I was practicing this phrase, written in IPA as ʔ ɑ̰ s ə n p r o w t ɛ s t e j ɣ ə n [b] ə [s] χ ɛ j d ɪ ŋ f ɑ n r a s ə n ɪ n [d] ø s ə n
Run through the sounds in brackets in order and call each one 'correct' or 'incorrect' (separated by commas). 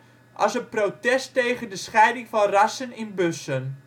incorrect, correct, incorrect